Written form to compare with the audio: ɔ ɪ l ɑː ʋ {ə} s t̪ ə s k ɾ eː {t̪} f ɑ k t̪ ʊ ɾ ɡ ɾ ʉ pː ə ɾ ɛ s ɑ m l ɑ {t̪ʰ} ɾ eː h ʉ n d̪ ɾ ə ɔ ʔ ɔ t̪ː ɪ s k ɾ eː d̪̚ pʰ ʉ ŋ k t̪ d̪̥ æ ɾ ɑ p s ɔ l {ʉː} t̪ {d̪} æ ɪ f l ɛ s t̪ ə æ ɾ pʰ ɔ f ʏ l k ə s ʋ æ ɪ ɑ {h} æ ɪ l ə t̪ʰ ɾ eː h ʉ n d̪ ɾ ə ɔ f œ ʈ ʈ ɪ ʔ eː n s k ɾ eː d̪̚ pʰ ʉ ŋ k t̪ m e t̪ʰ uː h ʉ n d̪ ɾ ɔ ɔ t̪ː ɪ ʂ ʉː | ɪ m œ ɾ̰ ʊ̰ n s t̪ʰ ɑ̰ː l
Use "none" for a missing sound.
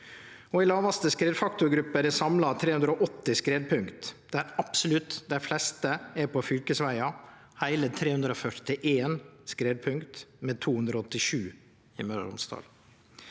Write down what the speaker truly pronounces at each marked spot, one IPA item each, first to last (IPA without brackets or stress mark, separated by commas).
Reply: ɑ, d̪, t̪ʰ, ʉ, d̪, h